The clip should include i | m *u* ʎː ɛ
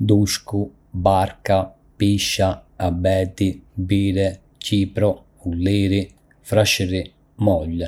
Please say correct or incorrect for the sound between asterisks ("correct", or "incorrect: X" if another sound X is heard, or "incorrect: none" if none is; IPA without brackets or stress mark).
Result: incorrect: ɔ